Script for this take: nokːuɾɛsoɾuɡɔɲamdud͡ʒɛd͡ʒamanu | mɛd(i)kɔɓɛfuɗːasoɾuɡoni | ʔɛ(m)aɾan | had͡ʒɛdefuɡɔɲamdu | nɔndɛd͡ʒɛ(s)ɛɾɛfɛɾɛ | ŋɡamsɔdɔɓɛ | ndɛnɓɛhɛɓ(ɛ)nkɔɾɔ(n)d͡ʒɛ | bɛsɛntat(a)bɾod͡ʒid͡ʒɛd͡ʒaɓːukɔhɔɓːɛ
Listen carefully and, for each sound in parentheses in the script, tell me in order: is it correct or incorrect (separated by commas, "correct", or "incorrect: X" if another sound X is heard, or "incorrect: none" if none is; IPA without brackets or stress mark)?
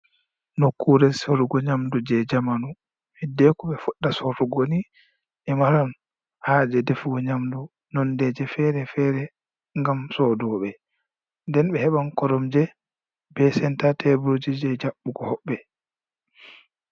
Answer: incorrect: ɛ, correct, incorrect: f, incorrect: a, incorrect: m, incorrect: ɛ